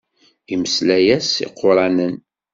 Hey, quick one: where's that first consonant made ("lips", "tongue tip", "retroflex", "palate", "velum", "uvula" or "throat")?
lips